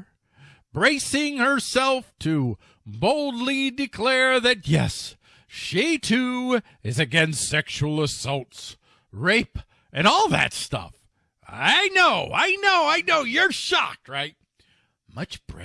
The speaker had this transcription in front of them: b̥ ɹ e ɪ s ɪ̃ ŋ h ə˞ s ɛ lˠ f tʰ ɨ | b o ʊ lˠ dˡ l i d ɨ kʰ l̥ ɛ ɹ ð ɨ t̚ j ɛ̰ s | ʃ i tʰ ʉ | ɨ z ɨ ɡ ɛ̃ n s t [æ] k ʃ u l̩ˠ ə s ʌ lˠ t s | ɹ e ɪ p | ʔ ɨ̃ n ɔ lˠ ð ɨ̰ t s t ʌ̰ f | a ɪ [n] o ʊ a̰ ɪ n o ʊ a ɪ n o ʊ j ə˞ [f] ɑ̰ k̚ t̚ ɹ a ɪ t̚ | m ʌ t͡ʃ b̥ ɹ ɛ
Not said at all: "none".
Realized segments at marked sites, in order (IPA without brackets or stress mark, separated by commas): ɛ, n, ʃ